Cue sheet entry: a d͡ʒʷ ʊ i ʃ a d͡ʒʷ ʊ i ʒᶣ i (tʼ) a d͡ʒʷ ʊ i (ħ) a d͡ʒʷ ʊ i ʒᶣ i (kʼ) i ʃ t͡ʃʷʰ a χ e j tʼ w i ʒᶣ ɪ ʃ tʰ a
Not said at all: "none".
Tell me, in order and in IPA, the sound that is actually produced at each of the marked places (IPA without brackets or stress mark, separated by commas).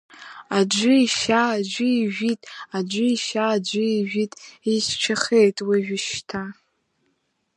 tʼ, ʃ, tʼ